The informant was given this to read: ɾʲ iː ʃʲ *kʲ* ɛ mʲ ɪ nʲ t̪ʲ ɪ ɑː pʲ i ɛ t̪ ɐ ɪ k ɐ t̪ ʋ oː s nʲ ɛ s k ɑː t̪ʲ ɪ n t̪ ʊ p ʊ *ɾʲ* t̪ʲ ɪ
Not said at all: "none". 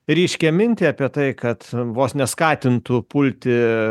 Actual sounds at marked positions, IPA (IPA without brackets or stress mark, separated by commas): kʲ, lʲ